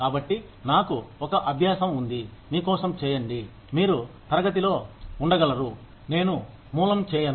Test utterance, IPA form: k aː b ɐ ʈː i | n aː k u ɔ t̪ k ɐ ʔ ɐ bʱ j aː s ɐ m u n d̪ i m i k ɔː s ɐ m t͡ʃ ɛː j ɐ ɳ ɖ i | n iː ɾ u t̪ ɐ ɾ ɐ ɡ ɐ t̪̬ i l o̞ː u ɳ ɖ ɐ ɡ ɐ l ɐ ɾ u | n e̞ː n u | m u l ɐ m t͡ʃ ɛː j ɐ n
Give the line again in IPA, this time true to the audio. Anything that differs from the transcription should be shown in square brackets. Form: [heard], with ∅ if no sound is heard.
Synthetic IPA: k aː b ɐ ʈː i | n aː k u ɔ [∅] k ɐ ʔ ɐ bʱ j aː s ɐ m u n d̪ i m [iː] k ɔː s ɐ m t͡ʃ ɛː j ɐ ɳ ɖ i | [m] iː ɾ u t̪ ɐ ɾ ɐ ɡ ɐ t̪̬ i l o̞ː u ɳ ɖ ɐ ɡ ɐ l ɐ ɾ u | n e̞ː n u | m [uː] l ɐ m t͡ʃ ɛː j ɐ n